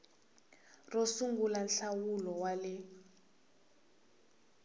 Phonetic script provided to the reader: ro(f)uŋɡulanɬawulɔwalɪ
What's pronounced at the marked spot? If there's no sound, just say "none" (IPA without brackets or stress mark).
s